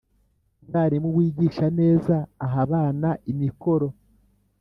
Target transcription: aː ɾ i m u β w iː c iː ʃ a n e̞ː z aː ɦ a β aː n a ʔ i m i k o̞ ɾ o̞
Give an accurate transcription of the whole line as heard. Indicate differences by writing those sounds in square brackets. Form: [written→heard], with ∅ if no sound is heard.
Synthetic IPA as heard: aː ɾ i m u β w iː [c→ɟ] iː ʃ a n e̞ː z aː ɦ a β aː n a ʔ i m i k o̞ ɾ o̞